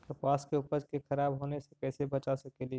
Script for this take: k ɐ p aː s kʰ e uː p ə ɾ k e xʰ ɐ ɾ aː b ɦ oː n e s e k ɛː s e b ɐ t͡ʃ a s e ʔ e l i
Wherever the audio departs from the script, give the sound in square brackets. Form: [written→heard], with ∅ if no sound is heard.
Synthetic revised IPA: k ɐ p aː s [kʰ→k] e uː p ə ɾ k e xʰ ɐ ɾ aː b ɦ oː n e s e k ɛː s e b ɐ t͡ʃ a s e [ʔ→k] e l i